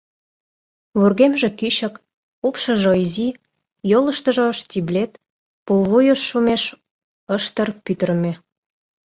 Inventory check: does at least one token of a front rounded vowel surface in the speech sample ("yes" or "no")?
yes